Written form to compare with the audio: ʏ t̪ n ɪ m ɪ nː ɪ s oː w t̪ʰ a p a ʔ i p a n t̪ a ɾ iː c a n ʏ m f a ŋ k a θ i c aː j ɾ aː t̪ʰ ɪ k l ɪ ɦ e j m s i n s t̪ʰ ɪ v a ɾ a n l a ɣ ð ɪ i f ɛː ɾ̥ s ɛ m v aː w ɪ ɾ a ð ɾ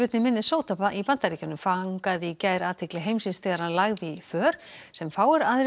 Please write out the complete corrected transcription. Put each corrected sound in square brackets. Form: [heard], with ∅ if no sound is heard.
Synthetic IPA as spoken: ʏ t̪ n ɪ m ɪ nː ɪ s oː w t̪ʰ a p a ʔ i p a n t̪ a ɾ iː c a n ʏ m f a ŋ k a [ð] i c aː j ɾ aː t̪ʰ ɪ k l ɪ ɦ e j m s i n s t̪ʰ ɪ [ɣ] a ɾ a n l a ɣ ð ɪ i f [œː] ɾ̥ s ɛ m [f] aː w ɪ ɾ a ð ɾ